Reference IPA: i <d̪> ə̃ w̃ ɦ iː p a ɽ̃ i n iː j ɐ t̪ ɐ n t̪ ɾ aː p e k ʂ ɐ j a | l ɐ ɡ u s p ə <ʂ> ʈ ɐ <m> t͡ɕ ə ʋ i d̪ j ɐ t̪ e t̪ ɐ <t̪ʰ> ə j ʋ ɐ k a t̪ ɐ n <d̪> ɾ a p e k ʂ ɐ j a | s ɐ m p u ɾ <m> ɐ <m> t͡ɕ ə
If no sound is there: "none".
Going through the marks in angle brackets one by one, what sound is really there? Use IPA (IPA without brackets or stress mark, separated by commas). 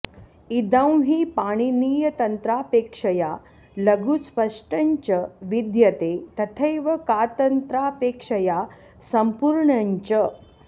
d̪, ʂ, ɲ, t̪ʰ, t̪, ɳ, ɲ